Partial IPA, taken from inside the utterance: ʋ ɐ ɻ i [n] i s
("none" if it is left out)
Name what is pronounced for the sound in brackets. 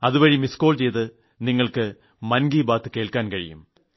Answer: m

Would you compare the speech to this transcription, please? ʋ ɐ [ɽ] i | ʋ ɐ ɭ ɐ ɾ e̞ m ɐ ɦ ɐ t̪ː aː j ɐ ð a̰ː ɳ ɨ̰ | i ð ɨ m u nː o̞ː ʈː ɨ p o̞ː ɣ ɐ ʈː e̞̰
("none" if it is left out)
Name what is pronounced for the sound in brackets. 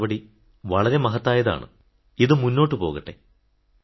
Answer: ɽ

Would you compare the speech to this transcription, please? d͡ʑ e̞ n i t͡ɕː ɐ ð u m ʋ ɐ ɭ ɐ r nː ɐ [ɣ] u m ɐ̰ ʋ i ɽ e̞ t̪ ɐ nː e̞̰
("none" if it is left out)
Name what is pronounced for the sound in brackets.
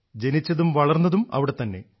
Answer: ð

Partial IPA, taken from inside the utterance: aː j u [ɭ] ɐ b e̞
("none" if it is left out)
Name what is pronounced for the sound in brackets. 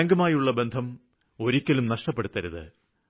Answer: ɭː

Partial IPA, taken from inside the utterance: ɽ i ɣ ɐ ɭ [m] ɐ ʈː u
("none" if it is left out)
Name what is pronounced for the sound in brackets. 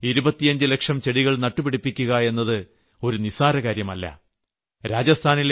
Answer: n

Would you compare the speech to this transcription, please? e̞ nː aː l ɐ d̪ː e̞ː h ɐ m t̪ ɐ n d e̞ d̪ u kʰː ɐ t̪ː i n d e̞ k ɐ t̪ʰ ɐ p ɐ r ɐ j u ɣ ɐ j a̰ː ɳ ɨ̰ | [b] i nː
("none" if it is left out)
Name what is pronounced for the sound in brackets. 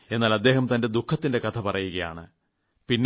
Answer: p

